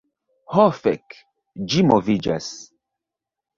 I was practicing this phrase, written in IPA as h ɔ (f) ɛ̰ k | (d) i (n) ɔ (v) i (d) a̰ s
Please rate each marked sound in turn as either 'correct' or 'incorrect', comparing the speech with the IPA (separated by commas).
correct, incorrect, incorrect, correct, incorrect